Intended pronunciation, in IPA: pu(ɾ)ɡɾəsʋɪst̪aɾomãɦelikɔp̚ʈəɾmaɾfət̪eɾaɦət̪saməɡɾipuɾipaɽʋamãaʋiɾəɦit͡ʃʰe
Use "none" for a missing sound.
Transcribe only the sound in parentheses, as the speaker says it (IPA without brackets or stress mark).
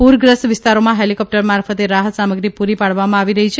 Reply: ɾ